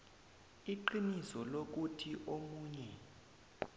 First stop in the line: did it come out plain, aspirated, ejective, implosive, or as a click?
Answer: click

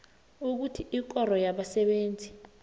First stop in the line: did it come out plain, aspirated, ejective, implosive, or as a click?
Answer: plain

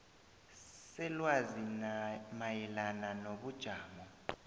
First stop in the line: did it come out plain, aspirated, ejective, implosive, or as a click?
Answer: implosive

